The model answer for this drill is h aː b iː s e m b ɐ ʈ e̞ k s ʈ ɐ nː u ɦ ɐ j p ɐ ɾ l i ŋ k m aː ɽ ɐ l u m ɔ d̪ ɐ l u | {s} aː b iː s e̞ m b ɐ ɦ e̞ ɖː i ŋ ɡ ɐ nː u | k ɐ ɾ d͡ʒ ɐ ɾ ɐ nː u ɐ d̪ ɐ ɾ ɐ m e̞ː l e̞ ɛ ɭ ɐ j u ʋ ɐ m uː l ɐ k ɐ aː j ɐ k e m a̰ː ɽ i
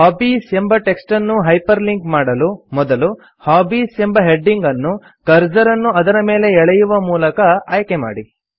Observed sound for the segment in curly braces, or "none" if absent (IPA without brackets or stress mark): h